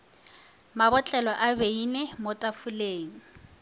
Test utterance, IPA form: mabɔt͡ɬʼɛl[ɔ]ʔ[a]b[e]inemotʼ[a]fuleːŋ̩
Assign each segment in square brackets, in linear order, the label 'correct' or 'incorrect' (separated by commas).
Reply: correct, correct, correct, correct